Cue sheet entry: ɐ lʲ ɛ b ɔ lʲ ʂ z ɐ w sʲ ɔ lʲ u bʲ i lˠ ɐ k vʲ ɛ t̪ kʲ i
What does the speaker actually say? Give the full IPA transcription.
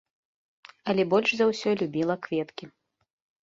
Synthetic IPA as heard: ɐ lʲ ɛ b ɔ lʲ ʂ z ɐ w sʲ ɔ lʲ u bʲ i lˠ ɐ k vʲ ɛ t̪ kʲ i